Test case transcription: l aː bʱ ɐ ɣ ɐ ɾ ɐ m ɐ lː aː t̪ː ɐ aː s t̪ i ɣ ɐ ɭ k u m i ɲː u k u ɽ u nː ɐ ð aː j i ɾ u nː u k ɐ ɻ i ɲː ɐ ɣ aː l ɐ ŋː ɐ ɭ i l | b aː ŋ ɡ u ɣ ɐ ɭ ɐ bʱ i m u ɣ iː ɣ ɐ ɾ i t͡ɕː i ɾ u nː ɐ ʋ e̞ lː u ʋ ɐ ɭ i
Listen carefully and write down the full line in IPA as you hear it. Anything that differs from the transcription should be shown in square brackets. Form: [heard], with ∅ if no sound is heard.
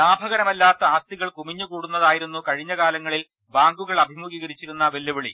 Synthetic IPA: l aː bʱ ɐ ɣ ɐ ɾ ɐ m ɐ lː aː t̪ː ɐ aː s t̪ i ɣ ɐ ɭ k u m i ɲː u k [uː] ɽ u nː ɐ ð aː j i ɾ u nː u k ɐ ɻ i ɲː ɐ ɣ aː l ɐ ŋː ɐ ɭ i l | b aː ŋ ɡ u ɣ ɐ ɭ ɐ bʱ i m u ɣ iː ɣ ɐ ɾ i t͡ɕː i ɾ u nː ɐ ʋ e̞ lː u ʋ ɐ ɭ i